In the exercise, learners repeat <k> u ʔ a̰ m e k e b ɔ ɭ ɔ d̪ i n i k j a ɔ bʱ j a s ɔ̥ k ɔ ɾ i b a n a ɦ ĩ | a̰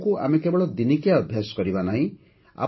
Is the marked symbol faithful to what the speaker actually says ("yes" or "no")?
yes